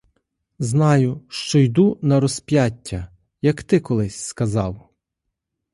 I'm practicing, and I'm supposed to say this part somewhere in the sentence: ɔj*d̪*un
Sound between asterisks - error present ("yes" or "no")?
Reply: no